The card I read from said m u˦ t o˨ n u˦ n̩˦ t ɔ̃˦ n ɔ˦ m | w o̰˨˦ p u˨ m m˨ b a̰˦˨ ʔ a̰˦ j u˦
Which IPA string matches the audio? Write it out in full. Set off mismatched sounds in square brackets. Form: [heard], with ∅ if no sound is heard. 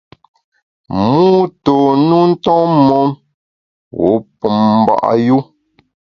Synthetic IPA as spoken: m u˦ t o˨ n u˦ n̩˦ t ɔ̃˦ [m] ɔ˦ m | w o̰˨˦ p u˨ m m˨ b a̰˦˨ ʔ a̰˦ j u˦